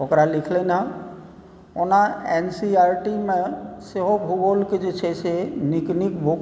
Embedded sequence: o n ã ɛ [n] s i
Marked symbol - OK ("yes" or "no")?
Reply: yes